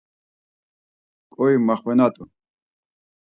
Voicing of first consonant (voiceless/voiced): voiceless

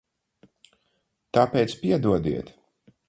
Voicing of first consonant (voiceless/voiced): voiceless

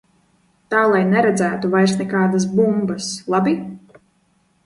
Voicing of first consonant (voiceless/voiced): voiceless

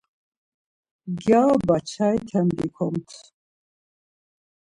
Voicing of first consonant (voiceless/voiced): voiced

